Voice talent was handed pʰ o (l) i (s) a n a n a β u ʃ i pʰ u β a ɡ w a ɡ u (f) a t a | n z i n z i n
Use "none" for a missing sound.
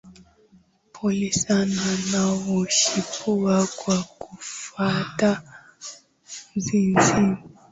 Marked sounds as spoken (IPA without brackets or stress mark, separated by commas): l, s, f